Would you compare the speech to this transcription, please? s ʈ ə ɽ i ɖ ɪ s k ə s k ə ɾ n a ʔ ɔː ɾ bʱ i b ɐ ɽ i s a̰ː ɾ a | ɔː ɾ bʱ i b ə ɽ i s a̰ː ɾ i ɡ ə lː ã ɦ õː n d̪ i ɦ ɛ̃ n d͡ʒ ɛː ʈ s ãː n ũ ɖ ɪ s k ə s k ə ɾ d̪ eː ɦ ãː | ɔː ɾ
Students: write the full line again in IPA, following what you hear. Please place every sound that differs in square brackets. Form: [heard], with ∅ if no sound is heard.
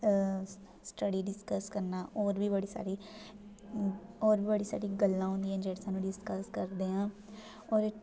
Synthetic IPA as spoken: s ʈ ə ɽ i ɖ ɪ s k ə s k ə ɾ n a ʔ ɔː ɾ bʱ i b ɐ ɽ i s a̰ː ɾ [i] | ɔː ɾ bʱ i b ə ɽ i s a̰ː ɾ i ɡ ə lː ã ɦ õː n d̪ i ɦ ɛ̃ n d͡ʒ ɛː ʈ s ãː n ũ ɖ ɪ s k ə s k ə ɾ d̪ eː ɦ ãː | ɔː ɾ